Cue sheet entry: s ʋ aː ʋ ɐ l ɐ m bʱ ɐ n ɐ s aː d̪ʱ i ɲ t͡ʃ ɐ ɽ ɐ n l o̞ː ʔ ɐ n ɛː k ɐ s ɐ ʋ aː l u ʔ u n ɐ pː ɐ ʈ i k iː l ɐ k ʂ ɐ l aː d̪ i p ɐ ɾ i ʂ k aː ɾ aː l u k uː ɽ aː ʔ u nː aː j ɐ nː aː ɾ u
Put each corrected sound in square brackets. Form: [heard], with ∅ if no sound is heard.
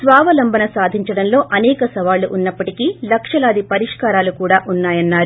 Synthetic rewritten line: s ʋ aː ʋ ɐ l ɐ m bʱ ɐ n ɐ s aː d̪ʱ i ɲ t͡ʃ ɐ ɽ ɐ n l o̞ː ʔ ɐ n ɛː k ɐ s ɐ ʋ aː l u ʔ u [nː] ɐ pː ɐ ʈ i k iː l ɐ k ʂ ɐ l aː d̪ i p ɐ ɾ i ʂ k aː ɾ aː l u k uː ɽ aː ʔ u nː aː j ɐ nː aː ɾ u